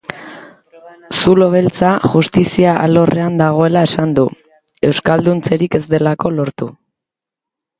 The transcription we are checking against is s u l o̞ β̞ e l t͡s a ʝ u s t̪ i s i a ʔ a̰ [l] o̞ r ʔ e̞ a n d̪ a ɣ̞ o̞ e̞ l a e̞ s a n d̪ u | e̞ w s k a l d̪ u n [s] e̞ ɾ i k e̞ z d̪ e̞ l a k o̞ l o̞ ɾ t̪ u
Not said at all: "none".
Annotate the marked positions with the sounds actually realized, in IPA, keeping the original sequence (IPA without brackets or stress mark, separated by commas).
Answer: l, t͡s